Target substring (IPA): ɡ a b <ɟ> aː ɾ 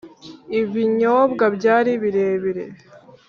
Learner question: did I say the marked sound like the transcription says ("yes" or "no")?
yes